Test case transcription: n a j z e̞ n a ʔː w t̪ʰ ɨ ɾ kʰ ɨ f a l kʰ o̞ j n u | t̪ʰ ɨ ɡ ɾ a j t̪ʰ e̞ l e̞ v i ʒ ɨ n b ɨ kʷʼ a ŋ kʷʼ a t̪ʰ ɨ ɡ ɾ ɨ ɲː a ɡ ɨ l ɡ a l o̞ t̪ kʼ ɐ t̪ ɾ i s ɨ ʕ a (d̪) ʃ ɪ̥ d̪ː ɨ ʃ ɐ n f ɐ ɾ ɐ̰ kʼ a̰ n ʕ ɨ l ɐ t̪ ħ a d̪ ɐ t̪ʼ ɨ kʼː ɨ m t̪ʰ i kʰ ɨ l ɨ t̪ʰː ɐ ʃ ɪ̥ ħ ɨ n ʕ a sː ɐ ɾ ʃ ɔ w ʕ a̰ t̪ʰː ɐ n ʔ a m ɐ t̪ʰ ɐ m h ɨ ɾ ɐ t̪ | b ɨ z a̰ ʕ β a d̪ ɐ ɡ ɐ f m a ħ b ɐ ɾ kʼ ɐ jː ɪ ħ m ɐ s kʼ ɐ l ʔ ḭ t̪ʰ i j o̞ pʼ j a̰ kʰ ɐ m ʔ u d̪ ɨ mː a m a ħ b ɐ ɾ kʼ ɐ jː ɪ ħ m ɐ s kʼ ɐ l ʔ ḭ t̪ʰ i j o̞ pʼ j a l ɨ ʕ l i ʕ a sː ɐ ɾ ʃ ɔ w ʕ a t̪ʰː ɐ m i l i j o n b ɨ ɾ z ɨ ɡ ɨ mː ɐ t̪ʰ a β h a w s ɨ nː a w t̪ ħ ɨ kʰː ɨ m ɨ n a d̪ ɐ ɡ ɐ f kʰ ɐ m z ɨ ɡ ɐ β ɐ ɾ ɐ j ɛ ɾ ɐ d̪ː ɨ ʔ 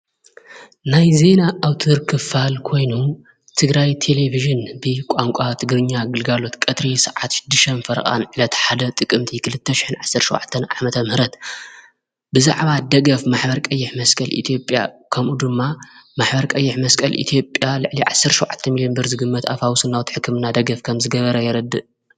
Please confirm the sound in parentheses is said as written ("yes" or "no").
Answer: no